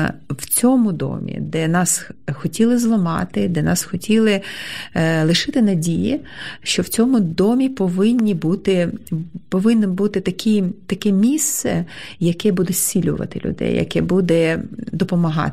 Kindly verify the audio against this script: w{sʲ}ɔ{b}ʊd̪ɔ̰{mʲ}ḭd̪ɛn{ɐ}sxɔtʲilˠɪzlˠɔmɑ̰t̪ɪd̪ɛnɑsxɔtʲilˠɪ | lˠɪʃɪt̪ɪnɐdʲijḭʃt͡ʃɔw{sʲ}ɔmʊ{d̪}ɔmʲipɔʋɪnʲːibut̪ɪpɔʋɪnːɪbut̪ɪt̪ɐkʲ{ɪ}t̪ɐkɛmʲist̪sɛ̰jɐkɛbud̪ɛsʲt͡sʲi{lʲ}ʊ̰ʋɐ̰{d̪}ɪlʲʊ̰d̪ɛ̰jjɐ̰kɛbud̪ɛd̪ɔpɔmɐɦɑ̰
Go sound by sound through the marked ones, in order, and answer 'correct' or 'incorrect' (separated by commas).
incorrect, incorrect, correct, incorrect, incorrect, correct, incorrect, correct, incorrect